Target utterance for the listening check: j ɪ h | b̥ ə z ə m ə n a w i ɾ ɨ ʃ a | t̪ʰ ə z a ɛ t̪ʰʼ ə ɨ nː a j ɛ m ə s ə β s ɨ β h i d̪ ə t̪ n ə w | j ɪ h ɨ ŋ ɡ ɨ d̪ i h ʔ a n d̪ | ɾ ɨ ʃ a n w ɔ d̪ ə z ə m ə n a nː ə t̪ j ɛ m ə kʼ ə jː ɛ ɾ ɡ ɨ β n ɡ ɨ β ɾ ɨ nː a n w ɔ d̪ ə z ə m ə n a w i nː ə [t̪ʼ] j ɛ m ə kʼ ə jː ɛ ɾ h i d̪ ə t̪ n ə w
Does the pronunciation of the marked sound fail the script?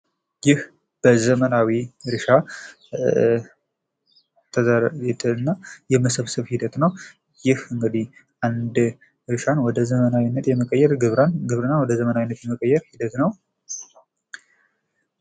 yes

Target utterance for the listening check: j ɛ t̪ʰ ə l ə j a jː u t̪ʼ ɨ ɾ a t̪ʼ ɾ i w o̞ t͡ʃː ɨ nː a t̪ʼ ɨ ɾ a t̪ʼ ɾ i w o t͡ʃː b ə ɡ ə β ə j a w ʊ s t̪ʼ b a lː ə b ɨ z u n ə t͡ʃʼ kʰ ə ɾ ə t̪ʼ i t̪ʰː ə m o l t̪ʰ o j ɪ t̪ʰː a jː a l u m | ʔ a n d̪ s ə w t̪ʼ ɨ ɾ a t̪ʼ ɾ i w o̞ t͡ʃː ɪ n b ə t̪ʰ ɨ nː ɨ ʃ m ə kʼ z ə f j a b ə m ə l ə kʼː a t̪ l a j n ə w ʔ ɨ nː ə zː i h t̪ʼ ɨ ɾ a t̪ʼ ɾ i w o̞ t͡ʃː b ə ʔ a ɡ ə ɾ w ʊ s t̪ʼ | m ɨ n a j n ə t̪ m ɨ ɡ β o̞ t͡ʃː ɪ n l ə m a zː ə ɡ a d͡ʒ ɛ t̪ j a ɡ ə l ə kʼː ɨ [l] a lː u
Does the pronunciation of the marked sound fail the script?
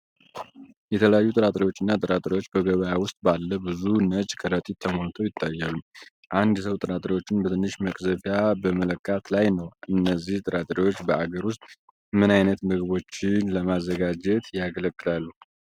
no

